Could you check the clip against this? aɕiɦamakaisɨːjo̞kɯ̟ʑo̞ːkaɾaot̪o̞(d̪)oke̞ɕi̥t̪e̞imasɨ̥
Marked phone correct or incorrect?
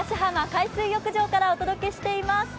correct